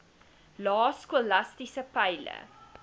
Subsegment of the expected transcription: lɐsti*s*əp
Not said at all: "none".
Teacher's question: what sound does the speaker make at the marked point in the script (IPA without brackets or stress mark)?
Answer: s